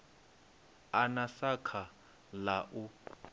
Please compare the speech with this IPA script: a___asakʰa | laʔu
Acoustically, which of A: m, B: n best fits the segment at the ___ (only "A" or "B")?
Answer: B